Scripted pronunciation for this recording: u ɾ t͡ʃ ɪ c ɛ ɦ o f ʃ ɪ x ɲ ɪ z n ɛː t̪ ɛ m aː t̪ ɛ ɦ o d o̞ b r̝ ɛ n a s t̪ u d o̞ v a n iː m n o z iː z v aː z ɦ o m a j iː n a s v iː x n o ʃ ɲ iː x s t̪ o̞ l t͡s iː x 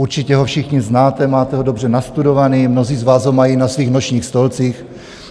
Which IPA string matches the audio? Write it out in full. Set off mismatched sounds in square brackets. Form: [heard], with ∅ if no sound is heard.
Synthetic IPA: u ɾ t͡ʃ ɪ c ɛ ɦ o f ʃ ɪ x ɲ ɪ z n [aː] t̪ ɛ m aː t̪ ɛ ɦ o d o̞ b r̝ ɛ n a s t̪ u d o̞ v a n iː m n o z iː z v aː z ɦ o m a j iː n a s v iː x n o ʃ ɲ iː x s t̪ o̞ l t͡s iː x

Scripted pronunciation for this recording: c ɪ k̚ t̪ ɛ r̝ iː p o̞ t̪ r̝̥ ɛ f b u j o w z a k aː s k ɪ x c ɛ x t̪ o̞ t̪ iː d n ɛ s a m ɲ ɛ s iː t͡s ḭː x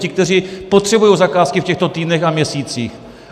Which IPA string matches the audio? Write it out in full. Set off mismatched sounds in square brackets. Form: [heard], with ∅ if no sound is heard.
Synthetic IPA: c ɪ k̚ t̪ ɛ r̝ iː p o̞ t̪ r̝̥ ɛ [∅] b u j o w z a k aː s k ɪ [f] c ɛ x t̪ o̞ t̪ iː d n ɛ [x] a m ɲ ɛ s iː t͡s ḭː x

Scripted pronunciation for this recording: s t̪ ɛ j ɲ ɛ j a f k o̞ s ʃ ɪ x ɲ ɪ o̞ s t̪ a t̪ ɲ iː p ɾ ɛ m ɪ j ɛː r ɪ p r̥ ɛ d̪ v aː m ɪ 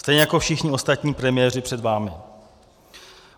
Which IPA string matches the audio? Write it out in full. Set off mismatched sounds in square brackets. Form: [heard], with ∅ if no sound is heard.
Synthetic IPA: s t̪ ɛ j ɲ ɛ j a [∅] k o̞ [f] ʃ ɪ x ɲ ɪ o̞ s t̪ a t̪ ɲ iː p ɾ ɛ m ɪ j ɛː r ɪ p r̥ ɛ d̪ v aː m ɪ

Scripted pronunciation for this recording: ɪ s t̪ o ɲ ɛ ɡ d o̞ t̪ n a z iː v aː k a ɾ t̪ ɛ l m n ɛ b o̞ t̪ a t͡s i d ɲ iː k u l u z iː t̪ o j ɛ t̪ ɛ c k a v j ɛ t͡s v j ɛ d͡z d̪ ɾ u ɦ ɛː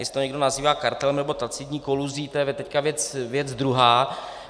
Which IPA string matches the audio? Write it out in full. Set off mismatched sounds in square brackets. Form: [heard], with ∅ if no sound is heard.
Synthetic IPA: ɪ s t̪ o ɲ ɛ ɡ d o̞ [∅] n a z iː v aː k a ɾ t̪ ɛ l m n ɛ b o̞ t̪ a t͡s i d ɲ iː k [o] l u z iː t̪ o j ɛ t̪ ɛ c k a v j ɛ t͡s v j ɛ d͡z d̪ ɾ u ɦ [aː]

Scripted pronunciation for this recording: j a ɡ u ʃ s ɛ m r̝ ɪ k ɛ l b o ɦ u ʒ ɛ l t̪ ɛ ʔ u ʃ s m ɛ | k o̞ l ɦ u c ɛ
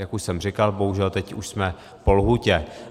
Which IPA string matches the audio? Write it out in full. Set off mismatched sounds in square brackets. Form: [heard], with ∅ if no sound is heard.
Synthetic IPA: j a [k] u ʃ s ɛ m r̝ ɪ k [a] l b o ɦ u ʒ ɛ l t̪ ɛ [c] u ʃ s m ɛ | [p] o̞ l ɦ u c ɛ

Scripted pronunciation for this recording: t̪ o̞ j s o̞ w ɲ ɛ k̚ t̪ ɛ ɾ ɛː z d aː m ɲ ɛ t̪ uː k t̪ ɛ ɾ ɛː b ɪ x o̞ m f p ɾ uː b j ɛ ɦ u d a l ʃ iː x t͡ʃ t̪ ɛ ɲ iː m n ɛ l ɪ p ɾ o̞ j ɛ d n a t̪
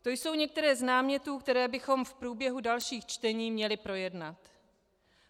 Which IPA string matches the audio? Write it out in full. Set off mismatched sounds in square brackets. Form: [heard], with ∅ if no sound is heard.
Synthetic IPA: t̪ o̞ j s o̞ w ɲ ɛ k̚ t̪ ɛ ɾ ɛː z [n] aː m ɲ ɛ t̪ uː k t̪ ɛ ɾ ɛː b ɪ x o̞ m f p ɾ uː b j ɛ ɦ u d a l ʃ iː x t͡ʃ t̪ ɛ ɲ iː m [ɲ] ɛ l ɪ p ɾ o̞ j ɛ d n a t̪

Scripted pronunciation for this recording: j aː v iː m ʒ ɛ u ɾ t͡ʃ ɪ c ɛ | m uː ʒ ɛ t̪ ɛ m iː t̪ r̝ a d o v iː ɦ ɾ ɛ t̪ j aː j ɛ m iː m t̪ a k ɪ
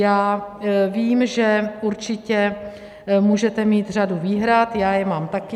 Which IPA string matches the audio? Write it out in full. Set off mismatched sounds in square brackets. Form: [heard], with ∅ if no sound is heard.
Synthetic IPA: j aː v iː m ʒ ɛ u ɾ t͡ʃ ɪ c ɛ | m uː ʒ ɛ t̪ ɛ m iː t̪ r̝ a d [u] v iː ɦ ɾ [a] t̪ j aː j ɛ m [aː] m t̪ a k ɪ

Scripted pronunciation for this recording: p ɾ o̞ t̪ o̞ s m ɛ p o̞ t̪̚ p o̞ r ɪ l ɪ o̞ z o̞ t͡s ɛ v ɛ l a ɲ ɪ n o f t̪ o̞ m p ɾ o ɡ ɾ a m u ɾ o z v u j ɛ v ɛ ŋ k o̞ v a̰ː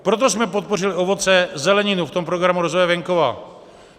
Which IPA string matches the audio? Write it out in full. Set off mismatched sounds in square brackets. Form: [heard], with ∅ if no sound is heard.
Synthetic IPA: p ɾ o̞ t̪ o̞ s m ɛ p o̞ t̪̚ p o̞ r ɪ l ɪ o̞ [v] o̞ t͡s ɛ [z] ɛ l [ɛ] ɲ ɪ n [u] f t̪ o̞ m p ɾ o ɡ ɾ a m u ɾ o z v [o] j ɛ v ɛ ŋ k o̞ v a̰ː

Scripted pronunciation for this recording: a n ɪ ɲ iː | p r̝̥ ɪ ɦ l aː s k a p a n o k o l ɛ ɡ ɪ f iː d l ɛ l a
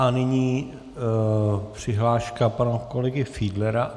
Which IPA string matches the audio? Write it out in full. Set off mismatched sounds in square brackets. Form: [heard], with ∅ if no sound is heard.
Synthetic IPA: a n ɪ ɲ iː | p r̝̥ ɪ ɦ l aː [ʃ] k a p a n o k o l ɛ ɡ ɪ f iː d l ɛ [ɾ] a

